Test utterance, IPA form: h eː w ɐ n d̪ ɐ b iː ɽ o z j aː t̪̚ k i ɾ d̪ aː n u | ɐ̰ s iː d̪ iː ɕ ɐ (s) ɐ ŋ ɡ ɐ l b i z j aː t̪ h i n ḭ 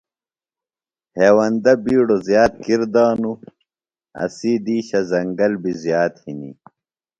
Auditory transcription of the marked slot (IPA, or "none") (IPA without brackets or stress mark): z